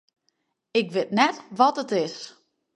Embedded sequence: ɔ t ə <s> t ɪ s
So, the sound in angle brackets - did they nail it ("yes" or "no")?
no